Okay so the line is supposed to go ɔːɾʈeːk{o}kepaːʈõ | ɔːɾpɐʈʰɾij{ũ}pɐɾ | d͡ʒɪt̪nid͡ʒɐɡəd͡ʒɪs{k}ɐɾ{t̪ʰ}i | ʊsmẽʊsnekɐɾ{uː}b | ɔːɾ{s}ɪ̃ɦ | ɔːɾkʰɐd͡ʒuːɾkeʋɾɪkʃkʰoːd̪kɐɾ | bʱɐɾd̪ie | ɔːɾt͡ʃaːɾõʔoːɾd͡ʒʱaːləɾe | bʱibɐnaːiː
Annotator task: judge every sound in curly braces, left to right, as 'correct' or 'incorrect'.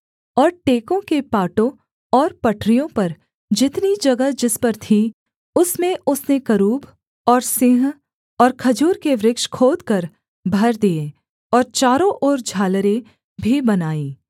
incorrect, incorrect, incorrect, correct, correct, correct

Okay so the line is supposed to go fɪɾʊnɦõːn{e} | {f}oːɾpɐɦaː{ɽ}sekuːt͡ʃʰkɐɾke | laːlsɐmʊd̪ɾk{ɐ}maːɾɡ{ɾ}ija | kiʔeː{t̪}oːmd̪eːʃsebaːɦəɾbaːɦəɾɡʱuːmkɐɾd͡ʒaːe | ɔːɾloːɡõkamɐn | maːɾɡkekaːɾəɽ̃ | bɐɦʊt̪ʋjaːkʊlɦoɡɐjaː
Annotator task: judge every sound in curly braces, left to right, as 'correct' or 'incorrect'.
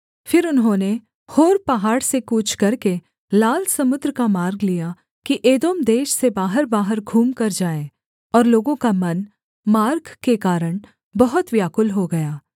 correct, incorrect, correct, incorrect, incorrect, incorrect

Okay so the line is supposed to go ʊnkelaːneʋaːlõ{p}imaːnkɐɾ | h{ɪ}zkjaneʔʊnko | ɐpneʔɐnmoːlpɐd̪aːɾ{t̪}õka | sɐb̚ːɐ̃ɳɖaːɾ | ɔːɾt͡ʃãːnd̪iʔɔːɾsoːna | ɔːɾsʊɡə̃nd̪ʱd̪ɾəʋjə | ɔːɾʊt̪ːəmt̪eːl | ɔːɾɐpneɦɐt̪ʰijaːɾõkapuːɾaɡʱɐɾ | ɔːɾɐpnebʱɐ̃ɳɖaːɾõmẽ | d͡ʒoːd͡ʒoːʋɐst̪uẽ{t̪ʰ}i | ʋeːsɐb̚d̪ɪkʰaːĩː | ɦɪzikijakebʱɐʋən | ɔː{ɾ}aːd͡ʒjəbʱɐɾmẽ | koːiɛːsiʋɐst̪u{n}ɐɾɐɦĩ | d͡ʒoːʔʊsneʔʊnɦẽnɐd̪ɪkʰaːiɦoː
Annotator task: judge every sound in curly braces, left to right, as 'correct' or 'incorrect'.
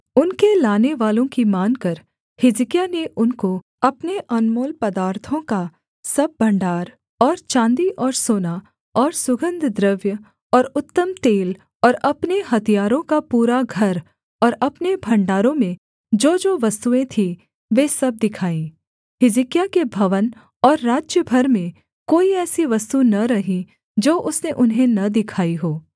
incorrect, correct, incorrect, correct, incorrect, correct

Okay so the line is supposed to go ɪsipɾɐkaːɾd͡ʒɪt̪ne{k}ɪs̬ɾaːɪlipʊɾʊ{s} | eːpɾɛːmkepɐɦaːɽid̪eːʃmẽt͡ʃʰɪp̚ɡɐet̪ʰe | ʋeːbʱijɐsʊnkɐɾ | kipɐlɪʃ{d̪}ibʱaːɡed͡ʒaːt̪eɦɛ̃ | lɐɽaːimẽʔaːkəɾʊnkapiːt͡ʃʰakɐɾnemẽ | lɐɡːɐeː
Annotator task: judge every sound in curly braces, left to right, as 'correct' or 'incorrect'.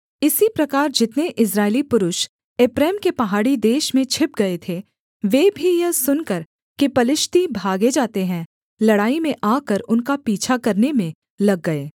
incorrect, incorrect, incorrect

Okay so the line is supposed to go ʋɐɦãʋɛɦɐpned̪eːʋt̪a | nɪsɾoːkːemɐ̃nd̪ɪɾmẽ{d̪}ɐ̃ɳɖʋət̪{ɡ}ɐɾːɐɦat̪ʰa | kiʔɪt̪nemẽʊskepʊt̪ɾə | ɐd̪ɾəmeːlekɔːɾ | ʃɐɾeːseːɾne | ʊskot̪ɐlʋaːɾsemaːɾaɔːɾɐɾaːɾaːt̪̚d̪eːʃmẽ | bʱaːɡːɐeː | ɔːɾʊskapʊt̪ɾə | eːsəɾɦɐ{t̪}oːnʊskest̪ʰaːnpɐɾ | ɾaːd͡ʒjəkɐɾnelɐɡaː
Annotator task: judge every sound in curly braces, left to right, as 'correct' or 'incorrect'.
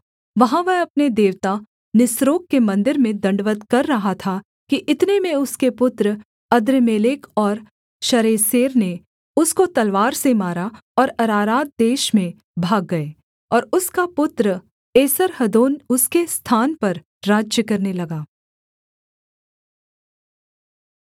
correct, incorrect, incorrect

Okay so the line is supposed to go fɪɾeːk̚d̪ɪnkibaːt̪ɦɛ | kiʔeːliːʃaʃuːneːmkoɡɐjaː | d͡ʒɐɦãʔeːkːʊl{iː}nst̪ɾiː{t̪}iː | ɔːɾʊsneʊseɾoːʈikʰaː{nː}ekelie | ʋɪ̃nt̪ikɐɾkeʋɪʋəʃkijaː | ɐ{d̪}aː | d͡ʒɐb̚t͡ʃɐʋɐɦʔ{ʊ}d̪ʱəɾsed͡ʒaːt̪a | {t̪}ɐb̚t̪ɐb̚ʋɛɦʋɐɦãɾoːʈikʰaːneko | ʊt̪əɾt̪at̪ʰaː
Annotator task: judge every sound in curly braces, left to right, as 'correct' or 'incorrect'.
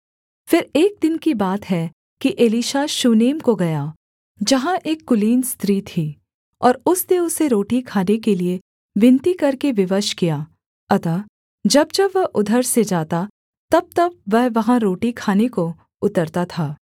correct, incorrect, incorrect, incorrect, correct, correct

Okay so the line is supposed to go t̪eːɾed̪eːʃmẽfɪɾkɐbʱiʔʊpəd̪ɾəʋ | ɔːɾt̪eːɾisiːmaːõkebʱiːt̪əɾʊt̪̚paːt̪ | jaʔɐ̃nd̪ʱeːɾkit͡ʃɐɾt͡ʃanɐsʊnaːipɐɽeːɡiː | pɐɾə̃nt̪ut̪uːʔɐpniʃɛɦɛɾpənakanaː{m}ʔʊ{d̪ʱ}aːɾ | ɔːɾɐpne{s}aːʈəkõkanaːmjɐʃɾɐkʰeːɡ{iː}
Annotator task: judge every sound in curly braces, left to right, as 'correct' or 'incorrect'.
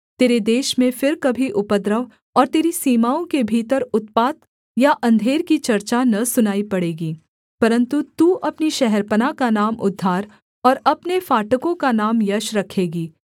correct, incorrect, incorrect, correct

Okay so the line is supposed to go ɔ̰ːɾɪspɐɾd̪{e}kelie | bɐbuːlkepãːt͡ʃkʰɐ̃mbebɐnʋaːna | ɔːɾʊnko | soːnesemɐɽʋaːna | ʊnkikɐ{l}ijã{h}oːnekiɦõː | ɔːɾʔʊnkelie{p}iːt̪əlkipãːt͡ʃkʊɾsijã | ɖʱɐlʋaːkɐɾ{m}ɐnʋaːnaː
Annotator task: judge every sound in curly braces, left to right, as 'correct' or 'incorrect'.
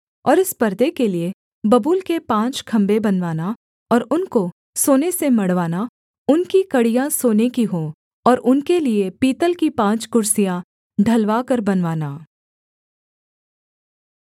correct, incorrect, incorrect, correct, incorrect

